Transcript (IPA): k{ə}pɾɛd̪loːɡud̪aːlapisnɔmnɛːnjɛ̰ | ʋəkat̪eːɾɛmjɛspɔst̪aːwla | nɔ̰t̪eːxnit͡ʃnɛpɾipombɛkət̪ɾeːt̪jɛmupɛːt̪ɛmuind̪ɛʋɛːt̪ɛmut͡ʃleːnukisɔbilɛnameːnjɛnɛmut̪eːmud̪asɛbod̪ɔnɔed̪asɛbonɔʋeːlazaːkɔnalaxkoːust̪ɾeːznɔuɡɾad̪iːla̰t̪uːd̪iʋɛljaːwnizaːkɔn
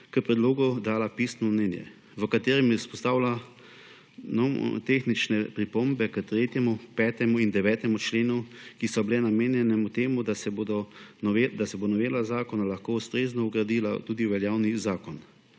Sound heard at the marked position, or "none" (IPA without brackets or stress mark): ə